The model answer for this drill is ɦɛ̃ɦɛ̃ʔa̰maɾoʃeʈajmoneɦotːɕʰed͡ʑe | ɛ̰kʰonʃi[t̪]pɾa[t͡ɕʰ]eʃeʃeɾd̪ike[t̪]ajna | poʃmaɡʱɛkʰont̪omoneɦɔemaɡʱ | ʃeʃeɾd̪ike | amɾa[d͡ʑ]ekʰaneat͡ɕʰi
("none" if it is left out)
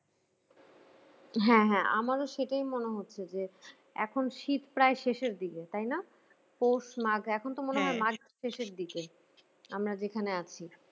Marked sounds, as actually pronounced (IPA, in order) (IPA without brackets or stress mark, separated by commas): t̪, none, t̪, d͡ʑ